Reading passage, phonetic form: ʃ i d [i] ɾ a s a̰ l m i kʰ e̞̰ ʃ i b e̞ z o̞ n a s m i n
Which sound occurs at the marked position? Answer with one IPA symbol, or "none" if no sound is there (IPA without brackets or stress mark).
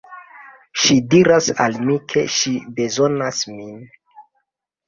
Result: i